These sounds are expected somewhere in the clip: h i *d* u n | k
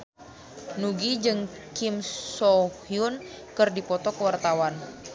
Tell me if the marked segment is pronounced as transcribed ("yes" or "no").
no